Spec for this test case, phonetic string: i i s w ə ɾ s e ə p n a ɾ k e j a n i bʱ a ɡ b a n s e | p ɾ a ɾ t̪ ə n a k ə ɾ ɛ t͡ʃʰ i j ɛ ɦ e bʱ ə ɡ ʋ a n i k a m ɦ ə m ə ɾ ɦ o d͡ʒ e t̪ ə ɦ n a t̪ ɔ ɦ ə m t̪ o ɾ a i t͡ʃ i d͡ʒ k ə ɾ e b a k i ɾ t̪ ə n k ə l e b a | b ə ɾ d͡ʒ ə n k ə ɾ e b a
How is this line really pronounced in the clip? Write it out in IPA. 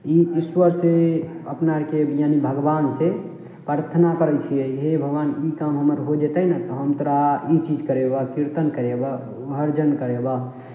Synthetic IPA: i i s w ə ɾ s e ə p n a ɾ k e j a n i bʱ ə ɡ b a n s e | p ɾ a ɾ t̪ʰ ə n a k ə ɾ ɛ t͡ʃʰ i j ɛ ɦ e bʱ ə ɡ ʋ a n i k a m ɦ ə m ə ɾ ɦ o d͡ʒ e t̪ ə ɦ n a t̪ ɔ ɦ ə m t̪ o ɾ a i t͡ʃ i d͡ʒ k ə ɾ e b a k i ɾ t̪ ə n k ə ɾ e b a | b ə ɾ d͡ʒ ə n k ə ɾ e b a